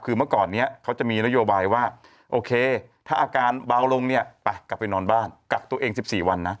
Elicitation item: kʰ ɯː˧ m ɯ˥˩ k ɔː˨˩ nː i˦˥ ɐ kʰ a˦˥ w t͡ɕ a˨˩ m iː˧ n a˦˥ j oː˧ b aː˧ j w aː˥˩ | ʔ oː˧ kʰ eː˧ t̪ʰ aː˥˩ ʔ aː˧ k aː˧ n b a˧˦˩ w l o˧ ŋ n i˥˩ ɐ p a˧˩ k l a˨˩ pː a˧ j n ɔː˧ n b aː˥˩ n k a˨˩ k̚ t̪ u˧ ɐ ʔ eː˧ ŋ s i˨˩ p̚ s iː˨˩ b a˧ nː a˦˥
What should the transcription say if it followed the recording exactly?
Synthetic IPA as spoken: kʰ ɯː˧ m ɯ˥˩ k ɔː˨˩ nː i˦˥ ɐ kʰ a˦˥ w t͡ɕ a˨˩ m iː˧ n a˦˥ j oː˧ b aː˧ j w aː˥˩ | ʔ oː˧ kʰ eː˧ t̪ʰ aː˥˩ ʔ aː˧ k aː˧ n b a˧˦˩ w l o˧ ŋ n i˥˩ ɐ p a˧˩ k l a˨˩ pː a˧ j n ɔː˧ n b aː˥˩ n k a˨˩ k̚ t̪ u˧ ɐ ʔ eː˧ ŋ s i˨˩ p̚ s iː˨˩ w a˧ nː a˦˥